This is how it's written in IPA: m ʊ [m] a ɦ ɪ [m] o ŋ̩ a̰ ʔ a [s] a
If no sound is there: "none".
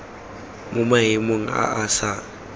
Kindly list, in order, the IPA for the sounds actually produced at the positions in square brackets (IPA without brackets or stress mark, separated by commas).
m, m, s